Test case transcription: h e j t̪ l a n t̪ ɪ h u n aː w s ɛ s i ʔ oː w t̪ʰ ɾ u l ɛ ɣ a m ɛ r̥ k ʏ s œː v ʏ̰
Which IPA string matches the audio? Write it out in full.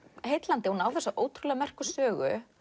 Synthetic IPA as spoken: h e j t̪ l a n t̪ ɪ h u n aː w θ ɛ s a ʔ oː w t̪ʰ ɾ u l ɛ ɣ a m ɛ r̥ k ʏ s œː ɣ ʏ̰